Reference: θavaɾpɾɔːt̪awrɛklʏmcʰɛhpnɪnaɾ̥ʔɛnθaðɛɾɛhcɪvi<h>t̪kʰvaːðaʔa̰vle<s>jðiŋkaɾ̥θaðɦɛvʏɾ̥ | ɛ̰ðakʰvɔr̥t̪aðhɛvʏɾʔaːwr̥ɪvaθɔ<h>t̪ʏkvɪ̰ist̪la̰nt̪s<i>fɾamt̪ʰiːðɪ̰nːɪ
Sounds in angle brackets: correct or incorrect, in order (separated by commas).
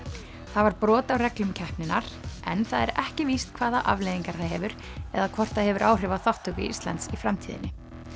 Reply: incorrect, incorrect, correct, correct